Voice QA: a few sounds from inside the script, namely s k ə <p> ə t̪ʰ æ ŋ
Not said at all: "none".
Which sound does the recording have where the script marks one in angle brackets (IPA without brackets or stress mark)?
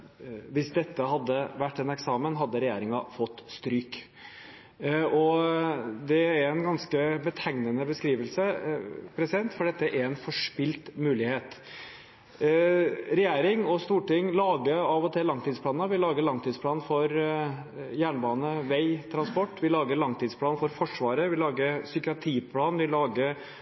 b